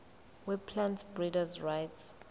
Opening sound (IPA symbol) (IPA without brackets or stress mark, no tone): w